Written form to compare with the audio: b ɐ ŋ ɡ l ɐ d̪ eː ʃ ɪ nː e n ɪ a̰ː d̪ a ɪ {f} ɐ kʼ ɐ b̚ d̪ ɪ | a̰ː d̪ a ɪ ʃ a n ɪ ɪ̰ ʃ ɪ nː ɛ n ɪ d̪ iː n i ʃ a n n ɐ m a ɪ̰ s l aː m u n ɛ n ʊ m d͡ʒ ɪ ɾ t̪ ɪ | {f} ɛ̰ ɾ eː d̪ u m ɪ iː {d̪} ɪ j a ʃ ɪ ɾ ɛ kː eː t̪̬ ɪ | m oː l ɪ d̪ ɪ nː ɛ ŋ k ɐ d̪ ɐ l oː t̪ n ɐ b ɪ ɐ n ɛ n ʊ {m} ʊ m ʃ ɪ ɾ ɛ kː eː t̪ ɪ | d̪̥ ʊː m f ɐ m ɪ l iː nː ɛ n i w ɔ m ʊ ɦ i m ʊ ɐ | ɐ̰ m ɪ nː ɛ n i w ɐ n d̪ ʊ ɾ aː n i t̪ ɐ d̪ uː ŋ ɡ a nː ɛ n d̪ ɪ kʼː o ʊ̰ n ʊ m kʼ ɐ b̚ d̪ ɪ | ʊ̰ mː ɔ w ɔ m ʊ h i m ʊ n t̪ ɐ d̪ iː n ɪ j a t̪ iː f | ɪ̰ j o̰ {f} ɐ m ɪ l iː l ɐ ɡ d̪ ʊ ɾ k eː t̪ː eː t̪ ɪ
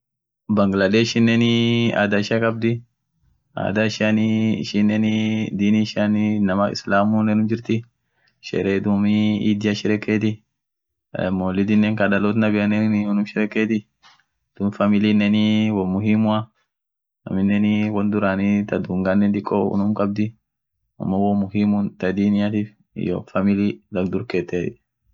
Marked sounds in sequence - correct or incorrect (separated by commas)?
incorrect, incorrect, correct, incorrect, correct